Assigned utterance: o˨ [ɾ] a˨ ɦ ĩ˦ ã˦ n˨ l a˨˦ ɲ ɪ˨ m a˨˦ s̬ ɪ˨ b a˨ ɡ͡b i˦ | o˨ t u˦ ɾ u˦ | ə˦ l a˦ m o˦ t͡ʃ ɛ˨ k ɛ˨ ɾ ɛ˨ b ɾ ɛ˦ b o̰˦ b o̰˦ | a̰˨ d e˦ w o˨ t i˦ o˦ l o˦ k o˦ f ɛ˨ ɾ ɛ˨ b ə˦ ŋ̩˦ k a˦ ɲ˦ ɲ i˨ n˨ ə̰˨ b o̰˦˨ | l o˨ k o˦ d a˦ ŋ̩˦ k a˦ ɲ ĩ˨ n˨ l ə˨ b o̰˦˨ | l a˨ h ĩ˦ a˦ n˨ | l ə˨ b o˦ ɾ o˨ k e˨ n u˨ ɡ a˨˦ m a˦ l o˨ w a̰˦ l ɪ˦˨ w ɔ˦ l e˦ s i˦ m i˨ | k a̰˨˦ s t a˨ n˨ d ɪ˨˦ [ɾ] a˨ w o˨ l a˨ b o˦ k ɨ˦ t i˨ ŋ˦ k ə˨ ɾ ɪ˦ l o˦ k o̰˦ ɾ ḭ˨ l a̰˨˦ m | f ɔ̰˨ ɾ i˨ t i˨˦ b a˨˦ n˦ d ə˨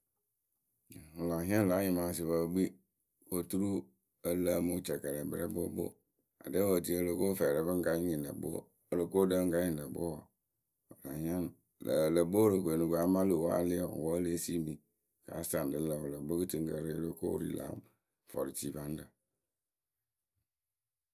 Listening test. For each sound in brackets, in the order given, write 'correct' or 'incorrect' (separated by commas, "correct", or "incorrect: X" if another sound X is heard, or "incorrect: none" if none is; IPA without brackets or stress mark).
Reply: incorrect: l, incorrect: l